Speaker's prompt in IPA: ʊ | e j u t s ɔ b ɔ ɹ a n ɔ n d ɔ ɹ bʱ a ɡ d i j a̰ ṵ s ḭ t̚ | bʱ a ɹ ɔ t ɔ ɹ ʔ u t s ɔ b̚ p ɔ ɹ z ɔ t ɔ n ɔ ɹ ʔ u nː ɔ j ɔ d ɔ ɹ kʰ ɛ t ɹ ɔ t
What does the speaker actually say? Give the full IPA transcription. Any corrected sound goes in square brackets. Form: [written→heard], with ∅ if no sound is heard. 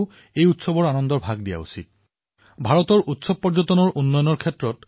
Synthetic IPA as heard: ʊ | e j u t s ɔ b ɔ ɹ a n ɔ n d ɔ ɹ bʱ a ɡ d i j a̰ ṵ s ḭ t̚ | bʱ a ɹ ɔ t ɔ ɹ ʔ u t s ɔ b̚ p ɔ ɹ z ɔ t ɔ n ɔ ɹ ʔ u nː ɔ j ɔ [d→n] ɔ ɹ kʰ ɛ t ɹ ɔ t

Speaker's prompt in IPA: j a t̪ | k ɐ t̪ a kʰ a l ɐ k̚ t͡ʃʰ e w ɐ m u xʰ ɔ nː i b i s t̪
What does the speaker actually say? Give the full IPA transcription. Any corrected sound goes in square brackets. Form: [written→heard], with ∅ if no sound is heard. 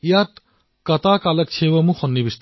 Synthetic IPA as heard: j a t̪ | k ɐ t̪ a [kʰ→k] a l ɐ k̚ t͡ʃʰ e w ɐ m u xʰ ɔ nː i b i s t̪

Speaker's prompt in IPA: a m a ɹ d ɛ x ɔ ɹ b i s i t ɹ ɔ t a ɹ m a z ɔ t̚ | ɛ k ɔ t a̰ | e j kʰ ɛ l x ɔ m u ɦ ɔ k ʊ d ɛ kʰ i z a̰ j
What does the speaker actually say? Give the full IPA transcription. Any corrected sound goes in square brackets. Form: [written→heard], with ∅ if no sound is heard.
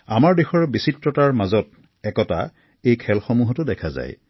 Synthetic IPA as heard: a m a ɹ d [ɛ→e] x ɔ ɹ b i s i t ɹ ɔ t a ɹ m a z ɔ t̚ | ɛ k ɔ t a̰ | e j kʰ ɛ l x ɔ m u ɦ ɔ [k→t] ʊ d ɛ kʰ [i→a] z a̰ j

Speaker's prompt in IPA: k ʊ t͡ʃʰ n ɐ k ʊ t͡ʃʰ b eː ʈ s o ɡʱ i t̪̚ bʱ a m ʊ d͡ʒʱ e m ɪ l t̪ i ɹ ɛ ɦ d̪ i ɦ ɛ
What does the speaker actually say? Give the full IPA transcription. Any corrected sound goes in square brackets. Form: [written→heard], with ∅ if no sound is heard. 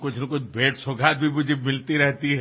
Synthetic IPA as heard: k ʊ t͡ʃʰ n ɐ k ʊ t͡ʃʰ b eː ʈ s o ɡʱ [i→a] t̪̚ bʱ [a→i] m ʊ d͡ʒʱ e m ɪ l t̪ i [ɹ→ɾ] ɛ ɦ [d̪→t̪] i ɦ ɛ

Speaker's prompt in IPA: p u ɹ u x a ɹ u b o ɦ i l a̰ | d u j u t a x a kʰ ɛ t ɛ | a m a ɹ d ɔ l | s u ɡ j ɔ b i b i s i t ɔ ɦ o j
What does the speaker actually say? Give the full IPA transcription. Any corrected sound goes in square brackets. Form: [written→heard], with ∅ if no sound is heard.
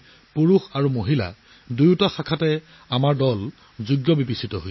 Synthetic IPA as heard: p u ɹ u x a ɹ u [b→m] o ɦ i l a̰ | d u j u t a x a kʰ [ɛ→a] t ɛ | a m a ɹ d ɔ l | [s→z] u ɡ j ɔ b i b i s i t ɔ ɦ o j

